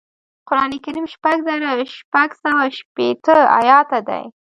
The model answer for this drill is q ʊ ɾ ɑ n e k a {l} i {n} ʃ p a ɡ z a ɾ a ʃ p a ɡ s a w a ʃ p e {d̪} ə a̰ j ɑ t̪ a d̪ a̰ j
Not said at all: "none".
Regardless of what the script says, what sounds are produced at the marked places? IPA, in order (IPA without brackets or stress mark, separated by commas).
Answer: ɾ, m, t̪